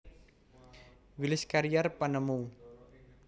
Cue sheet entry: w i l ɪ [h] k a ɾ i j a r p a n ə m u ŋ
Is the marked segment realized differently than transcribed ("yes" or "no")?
yes